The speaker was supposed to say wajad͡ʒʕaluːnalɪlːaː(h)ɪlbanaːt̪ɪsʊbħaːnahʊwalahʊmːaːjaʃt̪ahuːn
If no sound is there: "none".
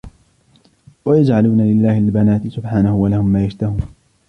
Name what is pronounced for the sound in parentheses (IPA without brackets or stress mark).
h